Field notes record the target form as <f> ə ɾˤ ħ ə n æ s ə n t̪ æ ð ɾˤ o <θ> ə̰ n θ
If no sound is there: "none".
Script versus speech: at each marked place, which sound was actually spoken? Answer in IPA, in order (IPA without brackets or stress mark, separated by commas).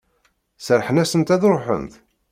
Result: s, ħ